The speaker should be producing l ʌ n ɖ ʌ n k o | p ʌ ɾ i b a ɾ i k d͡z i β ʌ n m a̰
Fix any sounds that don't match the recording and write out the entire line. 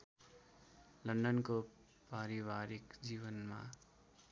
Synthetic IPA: l ʌ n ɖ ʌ n k o | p a ɾ i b a ɾ i k d͡z i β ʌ n m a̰